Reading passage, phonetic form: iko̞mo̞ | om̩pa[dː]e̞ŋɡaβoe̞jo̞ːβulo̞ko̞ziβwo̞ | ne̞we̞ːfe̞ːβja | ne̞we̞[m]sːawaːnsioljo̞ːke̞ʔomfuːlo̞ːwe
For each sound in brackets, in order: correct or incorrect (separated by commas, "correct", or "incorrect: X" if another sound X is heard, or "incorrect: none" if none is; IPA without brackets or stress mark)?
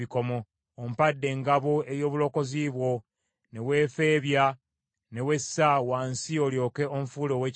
correct, incorrect: none